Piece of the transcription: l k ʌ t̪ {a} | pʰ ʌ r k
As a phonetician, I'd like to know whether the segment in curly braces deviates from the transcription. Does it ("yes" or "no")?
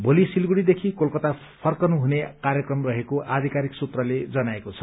no